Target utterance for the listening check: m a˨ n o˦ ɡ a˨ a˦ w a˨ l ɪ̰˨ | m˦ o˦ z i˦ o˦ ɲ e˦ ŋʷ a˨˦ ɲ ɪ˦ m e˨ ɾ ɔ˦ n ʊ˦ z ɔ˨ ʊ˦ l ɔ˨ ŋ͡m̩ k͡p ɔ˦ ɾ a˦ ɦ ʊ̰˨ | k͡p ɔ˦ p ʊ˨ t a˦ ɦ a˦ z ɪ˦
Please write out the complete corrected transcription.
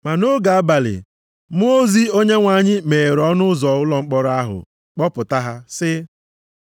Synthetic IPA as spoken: m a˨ n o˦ ɡ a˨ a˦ b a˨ l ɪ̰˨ | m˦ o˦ z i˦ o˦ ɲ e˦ ŋʷ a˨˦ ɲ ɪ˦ m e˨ ɾ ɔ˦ n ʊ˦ z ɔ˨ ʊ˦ l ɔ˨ ŋ͡m̩ k͡p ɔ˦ ɾ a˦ ɦ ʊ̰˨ | k͡p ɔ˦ p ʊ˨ t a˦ ɦ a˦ s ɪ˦

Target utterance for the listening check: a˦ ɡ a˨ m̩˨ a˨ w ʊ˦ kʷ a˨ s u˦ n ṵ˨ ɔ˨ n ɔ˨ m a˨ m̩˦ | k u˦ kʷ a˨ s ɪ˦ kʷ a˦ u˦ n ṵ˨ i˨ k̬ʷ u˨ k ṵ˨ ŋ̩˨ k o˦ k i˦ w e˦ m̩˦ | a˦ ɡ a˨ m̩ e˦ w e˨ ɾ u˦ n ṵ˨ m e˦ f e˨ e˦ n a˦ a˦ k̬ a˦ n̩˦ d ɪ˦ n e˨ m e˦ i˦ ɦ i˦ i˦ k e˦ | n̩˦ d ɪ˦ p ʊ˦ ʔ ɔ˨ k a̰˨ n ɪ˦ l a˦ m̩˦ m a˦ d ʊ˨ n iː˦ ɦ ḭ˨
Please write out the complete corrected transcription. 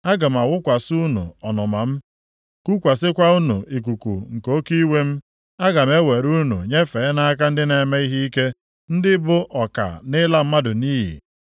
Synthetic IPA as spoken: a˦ ɡ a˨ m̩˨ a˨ w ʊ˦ kʷ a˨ s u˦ n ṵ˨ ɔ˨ n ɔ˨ m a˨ m̩˦ | k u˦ kʷ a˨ s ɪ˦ kʷ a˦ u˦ n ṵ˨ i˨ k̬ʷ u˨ k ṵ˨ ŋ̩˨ k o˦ k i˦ w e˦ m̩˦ | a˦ ɡ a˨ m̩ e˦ w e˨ ɾ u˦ n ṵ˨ ɲ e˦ f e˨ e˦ n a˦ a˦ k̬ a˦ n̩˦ d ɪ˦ n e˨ m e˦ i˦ ɦ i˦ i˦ k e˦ | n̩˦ d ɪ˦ b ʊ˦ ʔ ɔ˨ k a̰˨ n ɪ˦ l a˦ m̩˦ m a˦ d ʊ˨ n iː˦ ɦ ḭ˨

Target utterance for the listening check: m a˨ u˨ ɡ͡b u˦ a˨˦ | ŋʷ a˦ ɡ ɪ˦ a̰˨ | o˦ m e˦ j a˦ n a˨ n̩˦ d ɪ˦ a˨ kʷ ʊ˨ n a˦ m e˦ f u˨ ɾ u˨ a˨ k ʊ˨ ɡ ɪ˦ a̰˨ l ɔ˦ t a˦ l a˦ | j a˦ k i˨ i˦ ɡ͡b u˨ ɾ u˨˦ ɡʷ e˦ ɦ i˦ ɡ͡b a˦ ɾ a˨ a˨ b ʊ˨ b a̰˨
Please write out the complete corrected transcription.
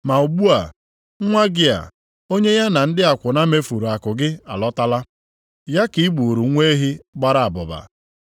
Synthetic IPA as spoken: m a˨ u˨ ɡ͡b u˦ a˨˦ | ŋʷ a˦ ɡ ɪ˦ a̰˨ | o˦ ɲ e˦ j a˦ n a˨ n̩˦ d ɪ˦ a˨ kʷ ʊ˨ n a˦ m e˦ f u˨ ɾ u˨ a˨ k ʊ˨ ɡ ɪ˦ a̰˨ l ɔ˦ t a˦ l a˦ | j a˦ k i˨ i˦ ɡ͡b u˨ ɾ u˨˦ ŋʷ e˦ ɦ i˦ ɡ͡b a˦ ɾ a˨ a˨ b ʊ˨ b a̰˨

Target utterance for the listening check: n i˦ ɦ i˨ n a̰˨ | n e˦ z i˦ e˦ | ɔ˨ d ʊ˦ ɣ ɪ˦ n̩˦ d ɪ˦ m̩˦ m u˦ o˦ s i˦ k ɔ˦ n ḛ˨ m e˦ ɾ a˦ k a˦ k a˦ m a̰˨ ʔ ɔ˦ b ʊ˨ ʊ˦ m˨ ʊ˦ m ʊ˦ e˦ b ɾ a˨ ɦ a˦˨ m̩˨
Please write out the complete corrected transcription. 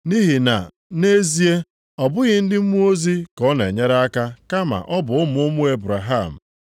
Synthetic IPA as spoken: n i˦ ɦ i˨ n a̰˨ | n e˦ z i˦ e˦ | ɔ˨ b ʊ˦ ɣ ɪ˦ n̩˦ d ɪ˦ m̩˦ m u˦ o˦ z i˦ k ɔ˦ n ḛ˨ ɲ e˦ ɾ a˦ k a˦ k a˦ m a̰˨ ʔ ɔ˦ b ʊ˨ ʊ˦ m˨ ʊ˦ m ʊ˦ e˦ b ɾ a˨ ɦ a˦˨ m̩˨

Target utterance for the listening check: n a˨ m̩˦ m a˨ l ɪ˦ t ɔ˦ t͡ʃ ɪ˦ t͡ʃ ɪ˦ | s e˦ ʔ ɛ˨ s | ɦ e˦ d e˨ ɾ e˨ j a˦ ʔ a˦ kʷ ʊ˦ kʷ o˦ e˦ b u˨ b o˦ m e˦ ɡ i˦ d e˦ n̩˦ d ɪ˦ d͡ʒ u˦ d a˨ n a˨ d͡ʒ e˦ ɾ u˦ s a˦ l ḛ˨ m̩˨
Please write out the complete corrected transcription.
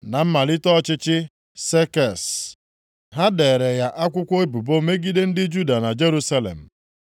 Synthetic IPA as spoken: n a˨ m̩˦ m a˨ l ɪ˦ t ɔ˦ t͡ʃ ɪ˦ t͡ʃ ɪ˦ | s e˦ k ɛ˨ s | ɦ a˦ d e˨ ɾ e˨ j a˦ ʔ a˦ kʷ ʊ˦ kʷ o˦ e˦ b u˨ b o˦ m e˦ ɡ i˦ d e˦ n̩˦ d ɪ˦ d͡ʒ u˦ d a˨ n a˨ d͡ʒ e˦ ɾ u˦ s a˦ l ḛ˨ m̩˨

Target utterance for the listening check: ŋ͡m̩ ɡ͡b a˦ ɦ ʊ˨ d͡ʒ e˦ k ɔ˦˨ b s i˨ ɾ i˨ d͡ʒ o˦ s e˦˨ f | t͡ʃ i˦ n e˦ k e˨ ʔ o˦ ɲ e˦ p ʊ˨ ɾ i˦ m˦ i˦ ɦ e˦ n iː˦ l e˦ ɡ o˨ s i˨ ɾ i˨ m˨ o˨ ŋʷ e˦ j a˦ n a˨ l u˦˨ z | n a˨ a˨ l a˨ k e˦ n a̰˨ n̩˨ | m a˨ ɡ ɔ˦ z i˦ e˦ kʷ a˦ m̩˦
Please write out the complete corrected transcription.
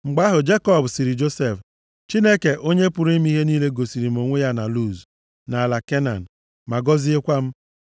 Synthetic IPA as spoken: ŋ͡m̩ ɡ͡b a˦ ɦ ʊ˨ d͡ʒ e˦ k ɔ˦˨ b s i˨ ɾ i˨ d͡ʒ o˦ s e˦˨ f | t͡ʃ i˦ n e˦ k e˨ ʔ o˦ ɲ e˦ p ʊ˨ ɾ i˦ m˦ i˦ ɦ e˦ n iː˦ l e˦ ɡ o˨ s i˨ ɾ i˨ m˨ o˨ ŋʷ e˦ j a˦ n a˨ l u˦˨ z | n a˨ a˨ l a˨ k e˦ n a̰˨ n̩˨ | m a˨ ɡ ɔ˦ z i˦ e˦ kʷ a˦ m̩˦

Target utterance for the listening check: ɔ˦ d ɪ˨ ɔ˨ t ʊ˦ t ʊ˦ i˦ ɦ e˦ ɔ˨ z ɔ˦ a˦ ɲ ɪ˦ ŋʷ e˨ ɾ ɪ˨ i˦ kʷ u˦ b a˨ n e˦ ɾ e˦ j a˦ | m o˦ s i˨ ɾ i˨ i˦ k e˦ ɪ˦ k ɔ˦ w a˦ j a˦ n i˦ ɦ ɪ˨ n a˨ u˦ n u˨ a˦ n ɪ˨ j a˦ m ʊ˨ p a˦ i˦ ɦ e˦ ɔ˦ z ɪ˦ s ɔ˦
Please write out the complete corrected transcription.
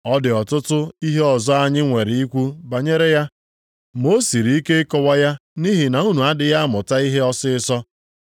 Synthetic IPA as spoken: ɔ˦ d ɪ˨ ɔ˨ t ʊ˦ t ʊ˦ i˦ ɦ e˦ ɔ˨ z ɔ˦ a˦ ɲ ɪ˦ ŋʷ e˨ ɾ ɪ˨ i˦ kʷ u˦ b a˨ ɲ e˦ ɾ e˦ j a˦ | m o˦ s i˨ ɾ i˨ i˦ k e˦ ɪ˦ k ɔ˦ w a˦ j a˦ n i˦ ɦ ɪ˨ n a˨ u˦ n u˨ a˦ d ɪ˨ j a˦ m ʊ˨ t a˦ i˦ ɦ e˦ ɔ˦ s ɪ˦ s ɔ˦

